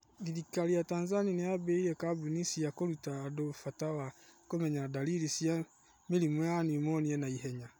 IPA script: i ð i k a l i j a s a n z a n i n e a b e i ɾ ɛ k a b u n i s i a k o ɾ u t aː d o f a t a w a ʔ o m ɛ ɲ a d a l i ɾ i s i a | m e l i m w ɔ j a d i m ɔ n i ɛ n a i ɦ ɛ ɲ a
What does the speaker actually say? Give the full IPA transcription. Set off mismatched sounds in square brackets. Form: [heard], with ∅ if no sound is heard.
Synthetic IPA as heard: i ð i k a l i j a [t] a n z a n i n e a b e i ɾ ɛ k a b u n i s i a k o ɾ u t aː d o f a t a w a [k] o m ɛ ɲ a d a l i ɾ i s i a | m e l i m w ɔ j a [n] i m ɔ n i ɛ n a i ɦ ɛ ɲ a